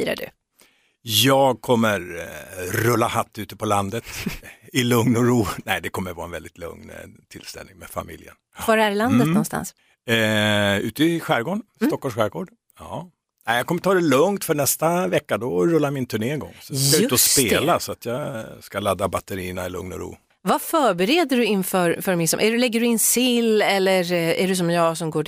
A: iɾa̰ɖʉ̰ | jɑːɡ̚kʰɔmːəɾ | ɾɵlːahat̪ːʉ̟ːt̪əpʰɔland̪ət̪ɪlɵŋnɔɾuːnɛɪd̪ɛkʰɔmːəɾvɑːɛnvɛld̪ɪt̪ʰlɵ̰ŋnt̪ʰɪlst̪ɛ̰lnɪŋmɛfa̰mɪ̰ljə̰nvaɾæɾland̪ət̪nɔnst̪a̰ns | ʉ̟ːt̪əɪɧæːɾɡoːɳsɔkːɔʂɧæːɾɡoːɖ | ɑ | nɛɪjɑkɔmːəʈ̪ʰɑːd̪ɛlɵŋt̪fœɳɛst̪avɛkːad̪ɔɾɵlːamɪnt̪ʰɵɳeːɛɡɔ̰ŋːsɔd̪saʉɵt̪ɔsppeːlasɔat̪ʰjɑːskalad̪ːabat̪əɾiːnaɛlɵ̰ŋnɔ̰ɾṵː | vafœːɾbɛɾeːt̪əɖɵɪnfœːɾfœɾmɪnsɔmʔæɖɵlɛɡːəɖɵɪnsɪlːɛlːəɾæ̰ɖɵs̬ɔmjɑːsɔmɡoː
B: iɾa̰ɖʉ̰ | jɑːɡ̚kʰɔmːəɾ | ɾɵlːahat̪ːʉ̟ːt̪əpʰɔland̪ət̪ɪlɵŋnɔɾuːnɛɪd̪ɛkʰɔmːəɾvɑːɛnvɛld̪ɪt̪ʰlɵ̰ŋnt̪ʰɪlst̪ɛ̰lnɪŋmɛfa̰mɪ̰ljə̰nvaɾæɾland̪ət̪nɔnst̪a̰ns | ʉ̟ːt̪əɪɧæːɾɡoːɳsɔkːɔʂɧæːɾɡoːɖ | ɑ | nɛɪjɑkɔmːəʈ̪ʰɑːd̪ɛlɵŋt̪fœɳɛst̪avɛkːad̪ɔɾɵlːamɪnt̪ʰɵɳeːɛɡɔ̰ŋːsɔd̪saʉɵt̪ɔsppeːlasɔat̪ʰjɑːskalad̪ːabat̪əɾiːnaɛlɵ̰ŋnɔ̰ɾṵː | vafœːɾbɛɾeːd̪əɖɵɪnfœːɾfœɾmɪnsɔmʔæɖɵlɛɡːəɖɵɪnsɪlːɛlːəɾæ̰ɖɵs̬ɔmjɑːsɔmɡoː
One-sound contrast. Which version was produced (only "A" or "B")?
B